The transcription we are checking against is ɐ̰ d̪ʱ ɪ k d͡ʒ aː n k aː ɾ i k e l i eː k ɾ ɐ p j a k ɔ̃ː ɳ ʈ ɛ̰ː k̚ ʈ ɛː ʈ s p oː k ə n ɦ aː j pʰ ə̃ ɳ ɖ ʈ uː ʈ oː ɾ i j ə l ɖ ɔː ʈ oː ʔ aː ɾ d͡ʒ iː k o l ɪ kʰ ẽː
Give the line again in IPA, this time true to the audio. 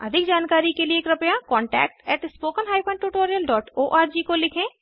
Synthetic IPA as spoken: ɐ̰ d̪ʱ ɪ k d͡ʒ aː n k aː ɾ i k e l i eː k ɾ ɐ p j a k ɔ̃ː ɳ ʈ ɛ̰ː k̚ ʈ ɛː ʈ s p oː k ə n ɦ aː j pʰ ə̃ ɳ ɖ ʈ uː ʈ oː ɾ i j ə l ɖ ɔː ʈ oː ʔ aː ɾ d͡ʒ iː k o l ɪ kʰ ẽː

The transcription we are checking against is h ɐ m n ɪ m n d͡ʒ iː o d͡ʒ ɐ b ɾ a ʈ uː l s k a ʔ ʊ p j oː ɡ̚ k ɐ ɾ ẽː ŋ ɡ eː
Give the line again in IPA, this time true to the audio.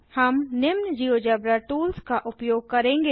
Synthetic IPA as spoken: h ɐ m n ɪ m n d͡ʒ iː o d͡ʒ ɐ b ɾ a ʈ uː l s k a ʔ ʊ p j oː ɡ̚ k ɐ ɾ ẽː ŋ ɡ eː

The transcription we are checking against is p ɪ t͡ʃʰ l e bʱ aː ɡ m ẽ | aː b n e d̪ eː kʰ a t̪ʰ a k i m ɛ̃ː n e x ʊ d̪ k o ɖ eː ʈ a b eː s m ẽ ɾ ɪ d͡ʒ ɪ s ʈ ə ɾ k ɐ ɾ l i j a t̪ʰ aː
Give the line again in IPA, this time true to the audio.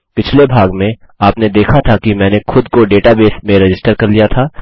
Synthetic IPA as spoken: p ɪ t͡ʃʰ l e bʱ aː ɡ m ẽ | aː p n e d̪ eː kʰ a t̪ʰ a k i m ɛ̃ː n e x ʊ d̪ k o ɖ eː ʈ a b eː s m ẽ ɾ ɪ d͡ʒ ɪ s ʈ ə ɾ k ɐ ɾ l i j a t̪ʰ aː

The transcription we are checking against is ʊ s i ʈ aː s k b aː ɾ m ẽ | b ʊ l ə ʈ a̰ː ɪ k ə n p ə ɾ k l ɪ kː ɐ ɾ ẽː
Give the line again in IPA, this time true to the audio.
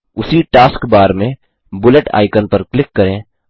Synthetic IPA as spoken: ʊ s i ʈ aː s k b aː ɾ m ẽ | b ʊ l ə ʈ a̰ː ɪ k ə n p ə ɾ k l ɪ kː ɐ ɾ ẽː

